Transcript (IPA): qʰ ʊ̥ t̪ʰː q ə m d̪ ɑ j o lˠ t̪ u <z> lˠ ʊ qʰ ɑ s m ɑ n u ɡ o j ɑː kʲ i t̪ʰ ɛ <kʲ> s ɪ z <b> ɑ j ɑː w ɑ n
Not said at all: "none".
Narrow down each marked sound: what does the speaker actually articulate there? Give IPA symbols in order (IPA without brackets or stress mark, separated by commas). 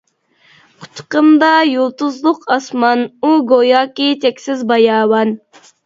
z, kʲ, b